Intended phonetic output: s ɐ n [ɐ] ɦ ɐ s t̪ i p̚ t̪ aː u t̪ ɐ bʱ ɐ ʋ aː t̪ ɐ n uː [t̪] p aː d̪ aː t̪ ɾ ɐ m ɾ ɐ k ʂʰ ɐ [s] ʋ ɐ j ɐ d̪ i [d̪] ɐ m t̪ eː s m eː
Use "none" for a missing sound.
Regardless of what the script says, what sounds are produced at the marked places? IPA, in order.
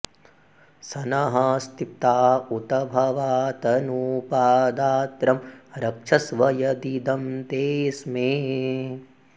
ɐ, none, s, d̪

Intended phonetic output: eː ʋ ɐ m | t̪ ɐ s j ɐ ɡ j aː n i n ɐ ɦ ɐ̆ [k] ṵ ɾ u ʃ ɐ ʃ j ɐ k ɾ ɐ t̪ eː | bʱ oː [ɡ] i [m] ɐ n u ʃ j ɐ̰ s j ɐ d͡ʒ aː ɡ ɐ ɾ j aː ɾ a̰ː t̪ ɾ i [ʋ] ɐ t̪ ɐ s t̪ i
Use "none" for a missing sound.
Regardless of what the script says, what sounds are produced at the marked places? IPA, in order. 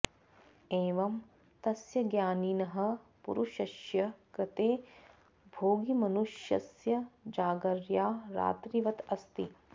p, ɡ, m, ʋ

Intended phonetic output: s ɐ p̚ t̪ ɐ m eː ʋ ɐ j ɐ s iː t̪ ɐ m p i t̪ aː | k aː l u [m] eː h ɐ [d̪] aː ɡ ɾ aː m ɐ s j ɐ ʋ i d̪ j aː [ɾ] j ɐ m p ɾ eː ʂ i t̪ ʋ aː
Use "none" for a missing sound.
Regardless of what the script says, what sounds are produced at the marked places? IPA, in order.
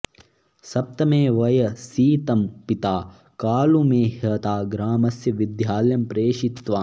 m, t̪, l

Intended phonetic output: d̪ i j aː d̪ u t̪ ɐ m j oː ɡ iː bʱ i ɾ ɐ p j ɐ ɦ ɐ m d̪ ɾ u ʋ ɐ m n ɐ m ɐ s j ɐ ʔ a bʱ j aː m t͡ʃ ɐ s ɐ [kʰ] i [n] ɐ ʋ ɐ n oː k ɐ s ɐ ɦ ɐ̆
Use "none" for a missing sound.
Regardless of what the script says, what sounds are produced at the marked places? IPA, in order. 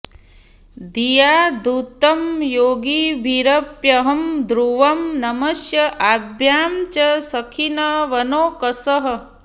kʰ, n

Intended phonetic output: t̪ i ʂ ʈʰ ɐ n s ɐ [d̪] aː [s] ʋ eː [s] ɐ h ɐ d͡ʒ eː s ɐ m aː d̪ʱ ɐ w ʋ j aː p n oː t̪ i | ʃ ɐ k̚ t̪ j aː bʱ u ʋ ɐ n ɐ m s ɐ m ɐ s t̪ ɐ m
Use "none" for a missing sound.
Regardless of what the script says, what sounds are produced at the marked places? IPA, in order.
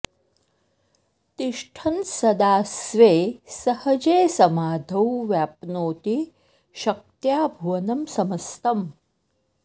d̪, s, s

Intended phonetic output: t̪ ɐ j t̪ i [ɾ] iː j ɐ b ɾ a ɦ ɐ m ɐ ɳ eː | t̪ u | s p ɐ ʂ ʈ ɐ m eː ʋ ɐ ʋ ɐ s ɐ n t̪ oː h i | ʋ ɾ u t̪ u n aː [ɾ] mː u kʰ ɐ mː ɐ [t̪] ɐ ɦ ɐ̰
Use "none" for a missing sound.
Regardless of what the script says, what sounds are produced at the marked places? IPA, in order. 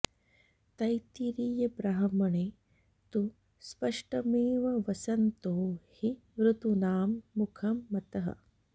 ɾ, none, t̪

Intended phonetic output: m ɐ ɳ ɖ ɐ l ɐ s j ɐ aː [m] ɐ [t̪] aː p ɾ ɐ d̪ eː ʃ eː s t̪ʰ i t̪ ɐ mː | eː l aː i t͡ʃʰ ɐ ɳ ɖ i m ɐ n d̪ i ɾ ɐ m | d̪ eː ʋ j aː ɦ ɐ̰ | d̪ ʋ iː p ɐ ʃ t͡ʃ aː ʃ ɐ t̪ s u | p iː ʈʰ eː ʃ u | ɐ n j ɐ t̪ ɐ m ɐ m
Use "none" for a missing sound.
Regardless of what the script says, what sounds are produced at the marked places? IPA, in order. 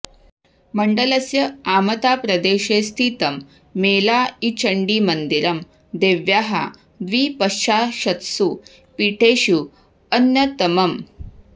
m, t̪

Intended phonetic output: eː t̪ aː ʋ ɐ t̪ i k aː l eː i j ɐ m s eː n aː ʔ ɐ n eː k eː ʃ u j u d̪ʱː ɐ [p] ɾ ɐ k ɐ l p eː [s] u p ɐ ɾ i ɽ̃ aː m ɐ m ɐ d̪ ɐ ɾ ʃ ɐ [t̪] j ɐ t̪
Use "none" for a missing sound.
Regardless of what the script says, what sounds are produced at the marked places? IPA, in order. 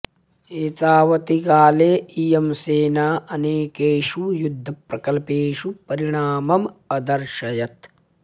p, ʃ, none

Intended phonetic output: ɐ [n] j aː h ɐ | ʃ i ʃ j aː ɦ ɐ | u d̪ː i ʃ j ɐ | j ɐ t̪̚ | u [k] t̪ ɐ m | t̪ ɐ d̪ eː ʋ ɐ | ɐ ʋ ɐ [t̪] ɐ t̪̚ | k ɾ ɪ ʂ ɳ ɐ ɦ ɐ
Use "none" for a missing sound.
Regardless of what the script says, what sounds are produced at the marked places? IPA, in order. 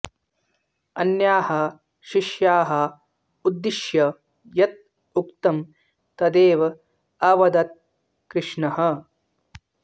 n, k, d̪

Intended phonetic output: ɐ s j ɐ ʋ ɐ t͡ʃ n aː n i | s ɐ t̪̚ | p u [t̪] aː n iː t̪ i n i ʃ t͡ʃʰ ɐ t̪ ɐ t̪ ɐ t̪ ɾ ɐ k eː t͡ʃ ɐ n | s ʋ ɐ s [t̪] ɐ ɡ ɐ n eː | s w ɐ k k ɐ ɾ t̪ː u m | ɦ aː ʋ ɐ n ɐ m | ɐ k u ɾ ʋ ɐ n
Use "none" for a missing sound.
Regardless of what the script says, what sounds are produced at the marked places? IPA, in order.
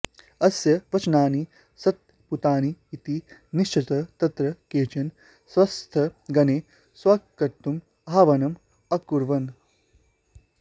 t̪, t̪ʰ

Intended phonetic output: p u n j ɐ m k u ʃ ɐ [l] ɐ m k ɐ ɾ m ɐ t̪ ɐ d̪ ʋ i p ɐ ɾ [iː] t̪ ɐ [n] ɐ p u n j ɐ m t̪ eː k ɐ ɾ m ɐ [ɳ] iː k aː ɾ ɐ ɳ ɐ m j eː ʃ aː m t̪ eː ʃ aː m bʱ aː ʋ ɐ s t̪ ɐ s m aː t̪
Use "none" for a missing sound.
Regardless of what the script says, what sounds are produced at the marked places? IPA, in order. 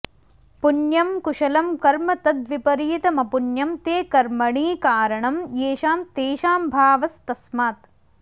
l, iː, m, ɳ

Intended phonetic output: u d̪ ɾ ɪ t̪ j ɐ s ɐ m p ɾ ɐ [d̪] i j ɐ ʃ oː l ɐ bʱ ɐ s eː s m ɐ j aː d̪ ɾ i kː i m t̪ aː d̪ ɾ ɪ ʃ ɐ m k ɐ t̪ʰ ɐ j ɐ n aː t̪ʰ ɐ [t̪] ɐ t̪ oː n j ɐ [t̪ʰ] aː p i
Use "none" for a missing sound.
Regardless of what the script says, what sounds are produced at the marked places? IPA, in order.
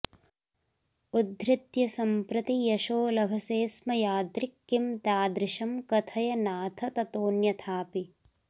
t̪, t̪, t̪ʰ

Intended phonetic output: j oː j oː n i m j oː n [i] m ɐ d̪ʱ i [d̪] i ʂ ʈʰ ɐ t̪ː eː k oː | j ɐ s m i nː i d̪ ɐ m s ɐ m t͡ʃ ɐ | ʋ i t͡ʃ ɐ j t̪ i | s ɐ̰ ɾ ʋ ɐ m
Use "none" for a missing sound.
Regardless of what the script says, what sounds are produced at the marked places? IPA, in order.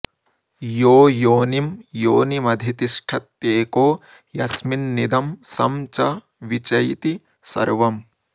i, t̪

